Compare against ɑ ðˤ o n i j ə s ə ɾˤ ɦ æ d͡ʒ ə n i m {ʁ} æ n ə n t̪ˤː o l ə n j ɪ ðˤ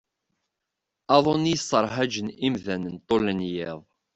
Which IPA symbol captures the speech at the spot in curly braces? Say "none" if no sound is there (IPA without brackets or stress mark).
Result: ð